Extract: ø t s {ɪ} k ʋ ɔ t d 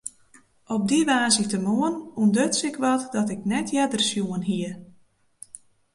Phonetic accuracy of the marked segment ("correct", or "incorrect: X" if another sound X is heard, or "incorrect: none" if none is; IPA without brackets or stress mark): correct